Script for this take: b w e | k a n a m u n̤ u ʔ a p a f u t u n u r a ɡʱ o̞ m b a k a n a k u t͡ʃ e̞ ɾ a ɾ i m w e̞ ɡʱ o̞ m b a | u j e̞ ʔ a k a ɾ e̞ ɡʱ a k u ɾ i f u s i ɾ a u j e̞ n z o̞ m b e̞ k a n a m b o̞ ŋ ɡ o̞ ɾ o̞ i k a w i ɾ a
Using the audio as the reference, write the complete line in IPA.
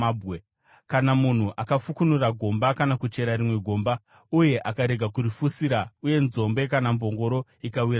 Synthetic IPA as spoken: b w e | k a n a m u n̤ u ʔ a k a f u k u n u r a ɡʱ o̞ m b a k a n a k u t͡ʃ e̞ ɾ a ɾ i m w e̞ ɡʱ o̞ m b a | u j e̞ ʔ a k a ɾ e̞ ɡʱ a k u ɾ i f u s i ɾ a u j e̞ n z o̞ m b e̞ k a n a m b o̞ ŋ ɡ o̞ ɾ o̞ i k a w i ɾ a